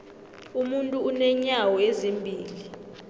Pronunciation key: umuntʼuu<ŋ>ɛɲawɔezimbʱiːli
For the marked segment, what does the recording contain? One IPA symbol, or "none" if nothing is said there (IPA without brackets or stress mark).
n